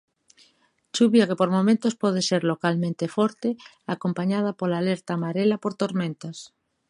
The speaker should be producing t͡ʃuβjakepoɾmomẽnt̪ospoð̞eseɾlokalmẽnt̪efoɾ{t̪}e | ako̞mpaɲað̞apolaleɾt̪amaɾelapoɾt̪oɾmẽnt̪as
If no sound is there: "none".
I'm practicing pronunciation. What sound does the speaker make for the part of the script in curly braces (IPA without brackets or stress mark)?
t̪